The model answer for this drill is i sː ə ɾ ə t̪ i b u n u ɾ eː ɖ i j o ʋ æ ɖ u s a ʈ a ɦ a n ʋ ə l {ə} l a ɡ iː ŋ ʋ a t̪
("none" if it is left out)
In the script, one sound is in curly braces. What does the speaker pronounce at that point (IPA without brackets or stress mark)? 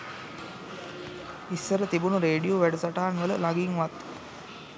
ə